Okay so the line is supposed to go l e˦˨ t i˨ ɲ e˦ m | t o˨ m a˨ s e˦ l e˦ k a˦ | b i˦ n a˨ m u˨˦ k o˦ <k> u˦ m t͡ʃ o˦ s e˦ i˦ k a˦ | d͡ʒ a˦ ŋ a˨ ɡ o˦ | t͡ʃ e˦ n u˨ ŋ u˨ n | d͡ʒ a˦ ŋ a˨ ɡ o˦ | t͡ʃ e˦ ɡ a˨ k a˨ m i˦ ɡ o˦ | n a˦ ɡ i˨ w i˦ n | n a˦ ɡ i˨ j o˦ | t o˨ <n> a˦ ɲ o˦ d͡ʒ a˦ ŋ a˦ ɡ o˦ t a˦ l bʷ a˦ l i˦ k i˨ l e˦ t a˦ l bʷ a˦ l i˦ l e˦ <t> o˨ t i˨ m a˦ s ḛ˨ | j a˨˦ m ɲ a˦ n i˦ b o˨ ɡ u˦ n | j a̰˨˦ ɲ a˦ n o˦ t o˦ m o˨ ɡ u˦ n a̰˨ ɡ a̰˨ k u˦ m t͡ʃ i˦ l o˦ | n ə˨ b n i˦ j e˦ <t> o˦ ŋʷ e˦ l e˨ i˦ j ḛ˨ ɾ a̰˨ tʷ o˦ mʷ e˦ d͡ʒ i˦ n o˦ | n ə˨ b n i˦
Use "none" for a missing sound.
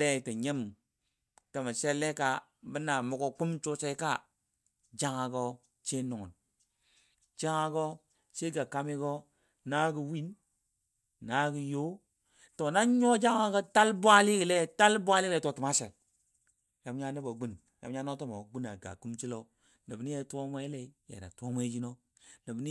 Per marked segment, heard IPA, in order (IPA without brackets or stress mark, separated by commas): k, n, t, t